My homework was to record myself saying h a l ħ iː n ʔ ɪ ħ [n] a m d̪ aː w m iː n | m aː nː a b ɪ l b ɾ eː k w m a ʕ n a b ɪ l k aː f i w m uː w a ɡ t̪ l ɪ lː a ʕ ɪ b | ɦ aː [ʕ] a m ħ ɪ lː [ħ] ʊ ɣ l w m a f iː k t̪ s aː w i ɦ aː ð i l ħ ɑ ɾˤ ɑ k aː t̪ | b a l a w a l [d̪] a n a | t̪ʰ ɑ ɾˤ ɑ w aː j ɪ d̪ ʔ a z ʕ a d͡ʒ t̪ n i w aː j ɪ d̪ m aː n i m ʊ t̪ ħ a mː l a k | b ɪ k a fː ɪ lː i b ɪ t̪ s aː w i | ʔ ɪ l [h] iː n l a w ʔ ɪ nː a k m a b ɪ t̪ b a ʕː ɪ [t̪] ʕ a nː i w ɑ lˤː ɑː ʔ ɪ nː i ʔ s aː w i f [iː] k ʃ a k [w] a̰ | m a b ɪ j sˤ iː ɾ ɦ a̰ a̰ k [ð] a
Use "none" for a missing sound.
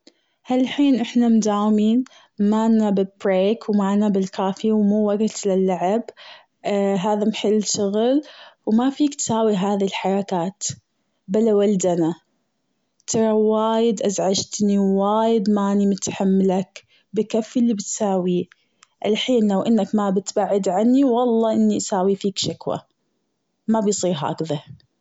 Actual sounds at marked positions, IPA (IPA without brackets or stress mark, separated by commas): n, ð, ʃ, d̪, ħ, d̪, iː, w, ð